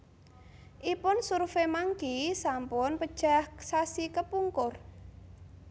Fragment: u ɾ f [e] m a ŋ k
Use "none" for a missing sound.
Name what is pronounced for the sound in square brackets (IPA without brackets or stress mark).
e